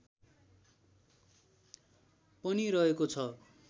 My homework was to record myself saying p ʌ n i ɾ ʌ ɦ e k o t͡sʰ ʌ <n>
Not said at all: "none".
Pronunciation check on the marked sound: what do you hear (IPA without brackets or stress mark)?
none